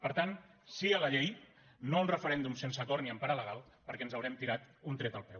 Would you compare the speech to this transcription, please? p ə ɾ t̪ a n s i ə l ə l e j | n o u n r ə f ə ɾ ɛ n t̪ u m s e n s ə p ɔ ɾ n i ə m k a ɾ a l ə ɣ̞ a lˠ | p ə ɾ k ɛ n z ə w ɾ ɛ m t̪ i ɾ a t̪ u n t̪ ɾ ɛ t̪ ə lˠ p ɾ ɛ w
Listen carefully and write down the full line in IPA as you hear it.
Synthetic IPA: p ə ɾ t̪ a n s i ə l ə ʎ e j | n o u n r ə f ə ɾ ɛ n d̪ u m s e n s ə k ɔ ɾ n i ə m p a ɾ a l ə ɣ̞ a lˠ | p ə ɾ k ɛ n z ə w ɾ ɛ m t̪ i ɾ a t̪ u n t̪ ɾ ɛ t̪ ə lˠ p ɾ ɛ w